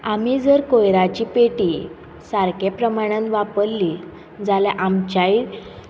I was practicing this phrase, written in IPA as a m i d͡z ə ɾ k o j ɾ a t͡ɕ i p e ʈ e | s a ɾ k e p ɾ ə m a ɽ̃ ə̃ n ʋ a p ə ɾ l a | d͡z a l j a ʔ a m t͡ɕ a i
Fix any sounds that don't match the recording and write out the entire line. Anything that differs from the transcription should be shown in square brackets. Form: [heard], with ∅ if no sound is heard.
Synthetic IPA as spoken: a m i d͡z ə ɾ k o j ɾ a t͡ɕ i p e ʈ [i] | s a ɾ k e p ɾ ə m a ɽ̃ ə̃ n ʋ a p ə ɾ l [i] | d͡z a l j a ʔ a m t͡ɕ a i